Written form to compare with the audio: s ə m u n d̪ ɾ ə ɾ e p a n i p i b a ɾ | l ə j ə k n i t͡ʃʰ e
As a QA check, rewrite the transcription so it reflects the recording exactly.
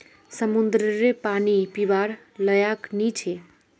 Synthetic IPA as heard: s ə m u n d̪ ɾ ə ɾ e p a n i p i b a ɾ | l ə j a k n i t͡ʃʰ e